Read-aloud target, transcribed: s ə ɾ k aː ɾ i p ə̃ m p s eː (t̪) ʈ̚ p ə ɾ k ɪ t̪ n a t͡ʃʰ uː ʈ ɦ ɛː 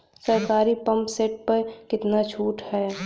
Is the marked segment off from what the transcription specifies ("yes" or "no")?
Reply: yes